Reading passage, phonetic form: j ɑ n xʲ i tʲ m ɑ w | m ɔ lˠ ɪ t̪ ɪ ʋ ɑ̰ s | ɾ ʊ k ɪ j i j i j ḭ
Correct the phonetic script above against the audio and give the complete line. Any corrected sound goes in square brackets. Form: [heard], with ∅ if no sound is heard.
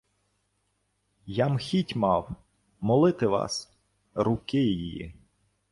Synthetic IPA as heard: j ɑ [m] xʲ i tʲ m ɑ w | m ɔ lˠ ɪ t̪ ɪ ʋ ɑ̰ s | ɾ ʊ k ɪ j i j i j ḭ

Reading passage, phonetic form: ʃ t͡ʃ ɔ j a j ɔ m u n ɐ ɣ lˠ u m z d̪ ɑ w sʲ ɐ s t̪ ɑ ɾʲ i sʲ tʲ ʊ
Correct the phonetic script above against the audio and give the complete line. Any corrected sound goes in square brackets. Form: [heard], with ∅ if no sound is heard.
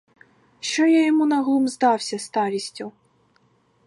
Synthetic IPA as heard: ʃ t͡ʃ ɔ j a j ɔ m u n ɐ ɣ lˠ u m z d̪ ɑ w sʲ ɐ s t̪ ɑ ɾʲ i sʲ tʲ ʊ

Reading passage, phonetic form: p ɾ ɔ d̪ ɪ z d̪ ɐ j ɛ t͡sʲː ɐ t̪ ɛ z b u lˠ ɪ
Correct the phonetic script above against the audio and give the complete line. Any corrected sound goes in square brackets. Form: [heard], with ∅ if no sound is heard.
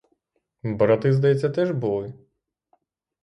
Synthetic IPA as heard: [b] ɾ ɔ [t̪] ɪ z d̪ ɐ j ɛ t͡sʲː ɐ t̪ ɛ [ʒ] b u lˠ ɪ

